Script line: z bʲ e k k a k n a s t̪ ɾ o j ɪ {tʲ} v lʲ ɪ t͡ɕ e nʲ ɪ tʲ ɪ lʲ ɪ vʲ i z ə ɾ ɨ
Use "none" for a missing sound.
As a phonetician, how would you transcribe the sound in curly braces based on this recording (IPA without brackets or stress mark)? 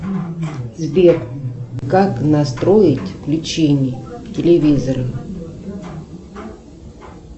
tʲ